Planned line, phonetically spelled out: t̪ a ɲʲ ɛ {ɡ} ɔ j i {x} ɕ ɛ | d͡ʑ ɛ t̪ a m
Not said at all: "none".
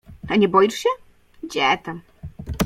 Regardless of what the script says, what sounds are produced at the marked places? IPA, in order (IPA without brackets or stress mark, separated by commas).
b, ʂ